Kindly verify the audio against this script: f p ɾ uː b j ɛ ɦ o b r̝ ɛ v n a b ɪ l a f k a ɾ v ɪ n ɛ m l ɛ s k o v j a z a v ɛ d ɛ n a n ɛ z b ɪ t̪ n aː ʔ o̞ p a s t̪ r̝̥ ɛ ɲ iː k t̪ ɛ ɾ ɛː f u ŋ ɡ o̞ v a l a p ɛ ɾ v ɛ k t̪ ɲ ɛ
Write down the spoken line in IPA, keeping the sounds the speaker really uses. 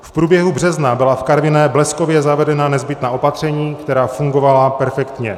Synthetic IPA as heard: f p ɾ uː b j ɛ ɦ u b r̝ ɛ z n a b ɪ l a f k a ɾ v ɪ n ɛ b l ɛ s k o v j ɛ z a v ɛ d ɛ n a n ɛ z b ɪ t̪ n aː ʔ o̞ p a t̪ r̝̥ ɛ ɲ iː k t̪ ɛ ɾ aː f u ŋ ɡ o̞ v a l a p ɛ ɾ f ɛ k t̪ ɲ ɛ